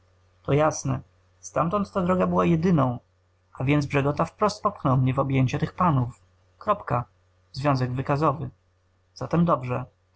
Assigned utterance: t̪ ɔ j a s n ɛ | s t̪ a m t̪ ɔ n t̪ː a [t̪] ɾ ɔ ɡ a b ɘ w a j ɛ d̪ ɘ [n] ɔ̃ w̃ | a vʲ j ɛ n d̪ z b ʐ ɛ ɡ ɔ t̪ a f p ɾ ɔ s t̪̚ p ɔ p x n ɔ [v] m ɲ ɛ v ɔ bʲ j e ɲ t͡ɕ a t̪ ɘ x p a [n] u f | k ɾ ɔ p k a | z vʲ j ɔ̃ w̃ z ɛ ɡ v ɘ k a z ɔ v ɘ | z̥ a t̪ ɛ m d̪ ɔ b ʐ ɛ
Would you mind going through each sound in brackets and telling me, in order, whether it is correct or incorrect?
incorrect: d̪, correct, incorrect: w, correct

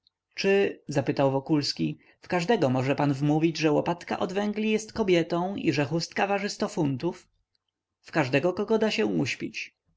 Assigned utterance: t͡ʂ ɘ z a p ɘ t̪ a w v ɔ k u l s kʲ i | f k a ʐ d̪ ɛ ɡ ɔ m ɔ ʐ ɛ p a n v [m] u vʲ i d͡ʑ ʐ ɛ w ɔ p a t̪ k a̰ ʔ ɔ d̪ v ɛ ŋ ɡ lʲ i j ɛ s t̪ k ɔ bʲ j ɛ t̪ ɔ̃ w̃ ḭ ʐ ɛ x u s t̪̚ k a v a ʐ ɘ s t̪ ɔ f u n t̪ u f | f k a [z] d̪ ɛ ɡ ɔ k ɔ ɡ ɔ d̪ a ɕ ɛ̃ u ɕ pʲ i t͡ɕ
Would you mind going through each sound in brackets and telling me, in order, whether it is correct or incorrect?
correct, incorrect: ʐ

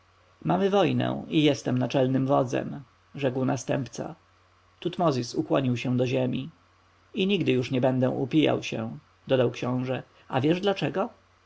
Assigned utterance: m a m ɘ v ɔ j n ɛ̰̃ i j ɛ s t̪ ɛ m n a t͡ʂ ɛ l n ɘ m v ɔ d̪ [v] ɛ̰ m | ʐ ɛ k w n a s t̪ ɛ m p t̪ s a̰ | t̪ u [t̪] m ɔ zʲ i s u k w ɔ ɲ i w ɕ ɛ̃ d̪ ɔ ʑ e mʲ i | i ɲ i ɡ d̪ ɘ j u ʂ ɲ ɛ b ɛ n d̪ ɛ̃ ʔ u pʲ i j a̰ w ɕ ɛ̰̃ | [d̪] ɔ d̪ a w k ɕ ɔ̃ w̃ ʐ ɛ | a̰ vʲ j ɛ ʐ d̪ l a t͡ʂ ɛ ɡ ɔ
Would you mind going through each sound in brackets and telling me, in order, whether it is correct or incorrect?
incorrect: z, correct, correct

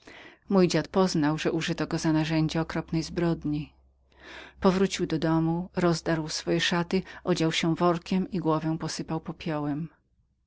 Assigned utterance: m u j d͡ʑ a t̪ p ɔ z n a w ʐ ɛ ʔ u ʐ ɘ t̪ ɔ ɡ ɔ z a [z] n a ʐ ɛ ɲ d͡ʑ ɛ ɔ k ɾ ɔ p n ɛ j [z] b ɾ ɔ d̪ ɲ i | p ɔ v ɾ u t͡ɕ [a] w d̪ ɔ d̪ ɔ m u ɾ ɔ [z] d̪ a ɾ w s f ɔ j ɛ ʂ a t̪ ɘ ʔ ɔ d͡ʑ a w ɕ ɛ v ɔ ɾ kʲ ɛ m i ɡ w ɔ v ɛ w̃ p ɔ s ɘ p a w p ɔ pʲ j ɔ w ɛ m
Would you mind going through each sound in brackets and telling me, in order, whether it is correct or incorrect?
incorrect: none, correct, incorrect: i, correct

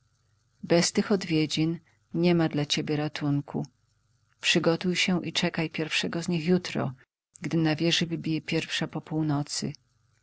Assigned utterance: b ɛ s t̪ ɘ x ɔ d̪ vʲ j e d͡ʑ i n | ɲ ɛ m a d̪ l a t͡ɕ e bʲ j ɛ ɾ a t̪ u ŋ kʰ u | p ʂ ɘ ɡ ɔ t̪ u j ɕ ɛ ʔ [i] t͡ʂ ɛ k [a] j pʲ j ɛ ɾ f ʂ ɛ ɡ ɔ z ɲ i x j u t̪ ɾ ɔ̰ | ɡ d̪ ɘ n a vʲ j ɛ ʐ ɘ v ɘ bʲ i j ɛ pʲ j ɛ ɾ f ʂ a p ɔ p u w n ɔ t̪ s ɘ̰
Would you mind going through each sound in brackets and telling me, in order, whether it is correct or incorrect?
correct, correct

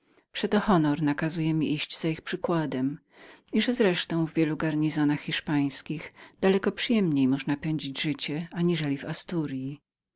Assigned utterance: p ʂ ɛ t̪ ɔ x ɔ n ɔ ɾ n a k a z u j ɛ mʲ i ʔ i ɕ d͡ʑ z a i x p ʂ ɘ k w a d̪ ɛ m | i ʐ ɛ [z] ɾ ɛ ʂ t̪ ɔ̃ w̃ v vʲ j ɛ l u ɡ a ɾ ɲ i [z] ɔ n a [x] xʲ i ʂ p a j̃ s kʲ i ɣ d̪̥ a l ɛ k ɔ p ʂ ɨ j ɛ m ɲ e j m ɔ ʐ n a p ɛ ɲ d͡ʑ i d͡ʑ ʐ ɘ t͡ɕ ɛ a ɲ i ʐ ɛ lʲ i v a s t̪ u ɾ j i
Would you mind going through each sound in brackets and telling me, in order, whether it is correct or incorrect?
correct, correct, correct

